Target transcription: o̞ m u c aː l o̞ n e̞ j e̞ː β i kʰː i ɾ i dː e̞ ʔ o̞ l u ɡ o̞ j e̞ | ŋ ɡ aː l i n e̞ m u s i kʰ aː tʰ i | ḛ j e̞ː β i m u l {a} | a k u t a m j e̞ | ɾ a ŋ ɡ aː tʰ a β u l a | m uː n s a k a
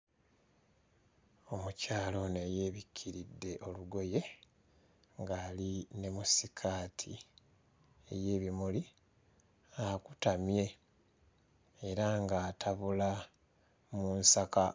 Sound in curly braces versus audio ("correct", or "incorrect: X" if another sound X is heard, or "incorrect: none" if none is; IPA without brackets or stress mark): incorrect: i